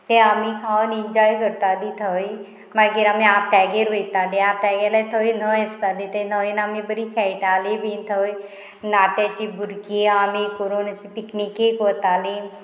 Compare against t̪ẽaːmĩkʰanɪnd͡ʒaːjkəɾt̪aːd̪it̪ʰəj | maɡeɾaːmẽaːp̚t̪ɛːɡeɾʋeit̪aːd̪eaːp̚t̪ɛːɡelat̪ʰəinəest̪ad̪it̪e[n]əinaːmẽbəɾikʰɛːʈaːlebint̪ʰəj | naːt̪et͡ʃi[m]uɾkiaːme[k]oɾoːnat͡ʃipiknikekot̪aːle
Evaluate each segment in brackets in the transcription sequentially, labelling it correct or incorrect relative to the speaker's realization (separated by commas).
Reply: correct, incorrect, correct